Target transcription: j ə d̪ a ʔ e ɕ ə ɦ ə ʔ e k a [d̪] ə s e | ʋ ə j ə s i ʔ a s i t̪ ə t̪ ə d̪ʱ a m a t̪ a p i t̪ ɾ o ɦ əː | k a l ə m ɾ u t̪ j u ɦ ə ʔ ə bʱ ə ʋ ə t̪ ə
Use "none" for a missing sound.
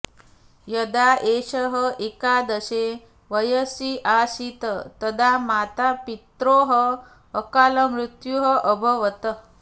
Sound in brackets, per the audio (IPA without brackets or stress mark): d̪